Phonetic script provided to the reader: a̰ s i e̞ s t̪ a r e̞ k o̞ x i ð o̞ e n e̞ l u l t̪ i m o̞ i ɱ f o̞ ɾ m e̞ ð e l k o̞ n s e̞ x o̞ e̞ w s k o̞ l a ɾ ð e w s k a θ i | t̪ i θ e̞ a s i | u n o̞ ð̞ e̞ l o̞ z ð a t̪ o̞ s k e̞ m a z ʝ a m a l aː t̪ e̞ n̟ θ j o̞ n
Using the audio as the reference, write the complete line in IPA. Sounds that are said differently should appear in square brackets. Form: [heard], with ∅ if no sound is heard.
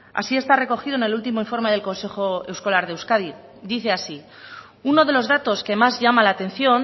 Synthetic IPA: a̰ s i e̞ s t̪ a r e̞ k o̞ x i ð o̞ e n e̞ l u l t̪ i m o̞ i ɱ f o̞ ɾ m e̞ ð e l k o̞ n s e̞ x o̞ e̞ w s k o̞ l a ɾ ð e w s k a [ð] i | [d̪] i θ e̞ a s i | u n o̞ ð̞ e̞ l o̞ z ð a t̪ o̞ s k e̞ m a z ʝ a m a l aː t̪ e̞ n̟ θ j o̞ n